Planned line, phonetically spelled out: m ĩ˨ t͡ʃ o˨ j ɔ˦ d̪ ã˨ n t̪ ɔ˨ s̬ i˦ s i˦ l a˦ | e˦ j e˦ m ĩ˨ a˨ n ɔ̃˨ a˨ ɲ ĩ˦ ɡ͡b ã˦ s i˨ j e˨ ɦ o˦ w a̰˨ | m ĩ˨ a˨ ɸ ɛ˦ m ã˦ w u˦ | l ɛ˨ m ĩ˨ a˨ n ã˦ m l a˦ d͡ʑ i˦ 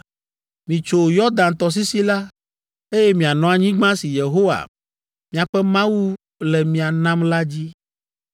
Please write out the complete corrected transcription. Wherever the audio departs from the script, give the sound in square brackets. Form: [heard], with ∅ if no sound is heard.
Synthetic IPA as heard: m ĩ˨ t͡ʃ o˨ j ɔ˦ d̪ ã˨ n t̪ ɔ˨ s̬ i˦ s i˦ l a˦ | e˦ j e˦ m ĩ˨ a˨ n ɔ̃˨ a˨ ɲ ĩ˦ ɡ͡b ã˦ s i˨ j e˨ ɦ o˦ w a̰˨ | m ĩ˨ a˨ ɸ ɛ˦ m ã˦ w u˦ | l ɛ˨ m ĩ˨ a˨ n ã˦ m l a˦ d͡ʑ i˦

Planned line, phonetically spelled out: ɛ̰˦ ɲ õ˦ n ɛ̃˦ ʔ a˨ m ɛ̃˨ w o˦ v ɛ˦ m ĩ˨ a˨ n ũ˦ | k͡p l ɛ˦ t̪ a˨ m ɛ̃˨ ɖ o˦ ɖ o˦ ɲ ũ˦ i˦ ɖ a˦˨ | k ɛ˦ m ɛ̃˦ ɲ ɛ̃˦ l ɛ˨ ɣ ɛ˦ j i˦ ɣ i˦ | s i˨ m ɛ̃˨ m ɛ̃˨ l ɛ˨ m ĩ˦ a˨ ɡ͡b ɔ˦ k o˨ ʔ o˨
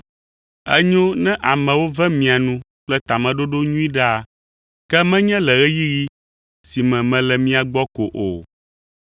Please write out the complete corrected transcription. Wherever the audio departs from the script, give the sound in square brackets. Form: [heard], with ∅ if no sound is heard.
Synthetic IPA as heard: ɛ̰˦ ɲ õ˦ n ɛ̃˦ ʔ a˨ m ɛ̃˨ w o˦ v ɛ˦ m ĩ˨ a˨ n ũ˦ | k͡p l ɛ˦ t̪ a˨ m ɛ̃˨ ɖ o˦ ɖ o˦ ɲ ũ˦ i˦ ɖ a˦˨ | k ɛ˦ m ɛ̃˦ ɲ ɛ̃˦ l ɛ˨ ɣ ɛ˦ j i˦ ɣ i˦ | s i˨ m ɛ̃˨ m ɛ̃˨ l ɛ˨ m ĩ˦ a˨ ɡ͡b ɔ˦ k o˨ ʔ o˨

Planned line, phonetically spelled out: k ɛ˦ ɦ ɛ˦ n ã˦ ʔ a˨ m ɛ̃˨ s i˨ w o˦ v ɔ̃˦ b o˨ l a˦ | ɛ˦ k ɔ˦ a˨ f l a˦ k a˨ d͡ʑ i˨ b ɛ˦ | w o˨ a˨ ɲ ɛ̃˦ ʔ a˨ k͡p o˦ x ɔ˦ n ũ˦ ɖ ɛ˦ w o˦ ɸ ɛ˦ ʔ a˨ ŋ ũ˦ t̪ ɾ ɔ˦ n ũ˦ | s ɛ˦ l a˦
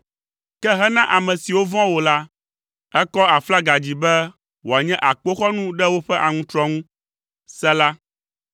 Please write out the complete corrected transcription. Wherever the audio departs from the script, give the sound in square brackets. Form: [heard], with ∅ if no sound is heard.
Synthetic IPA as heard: k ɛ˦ ɦ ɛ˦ n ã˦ ʔ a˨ m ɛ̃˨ s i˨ w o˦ v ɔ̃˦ [w] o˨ l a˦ | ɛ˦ k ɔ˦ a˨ f l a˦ [ɡ] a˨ d͡ʑ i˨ b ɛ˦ | w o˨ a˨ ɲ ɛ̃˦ ʔ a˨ k͡p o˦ x ɔ˦ n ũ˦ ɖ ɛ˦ w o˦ ɸ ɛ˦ ʔ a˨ ŋ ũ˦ t̪ ɾ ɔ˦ [ŋ] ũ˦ | s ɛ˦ l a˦

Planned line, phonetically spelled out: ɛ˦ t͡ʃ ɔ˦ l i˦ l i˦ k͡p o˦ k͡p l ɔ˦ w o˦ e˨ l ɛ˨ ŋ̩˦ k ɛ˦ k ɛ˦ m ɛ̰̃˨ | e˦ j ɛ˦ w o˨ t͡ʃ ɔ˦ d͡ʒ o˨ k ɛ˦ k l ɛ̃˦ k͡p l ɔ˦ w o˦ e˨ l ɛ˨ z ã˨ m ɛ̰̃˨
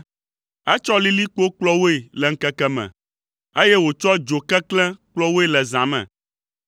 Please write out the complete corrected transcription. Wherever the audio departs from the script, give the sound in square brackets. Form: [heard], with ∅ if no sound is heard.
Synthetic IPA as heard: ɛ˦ t͡ʃ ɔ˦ l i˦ l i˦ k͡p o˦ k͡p l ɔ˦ w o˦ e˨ l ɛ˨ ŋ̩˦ k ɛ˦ k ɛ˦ m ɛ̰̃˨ | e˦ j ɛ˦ w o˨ t͡ʃ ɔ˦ d͡ʒ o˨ k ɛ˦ k l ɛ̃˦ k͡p l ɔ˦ w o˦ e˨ l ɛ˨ z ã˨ m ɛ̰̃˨

